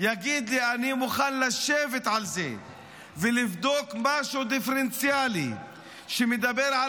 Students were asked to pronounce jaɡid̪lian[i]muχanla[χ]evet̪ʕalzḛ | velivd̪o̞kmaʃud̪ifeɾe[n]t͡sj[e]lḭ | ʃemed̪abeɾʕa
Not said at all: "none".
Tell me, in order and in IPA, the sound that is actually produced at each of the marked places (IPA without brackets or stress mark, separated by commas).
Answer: i, ʃ, n, a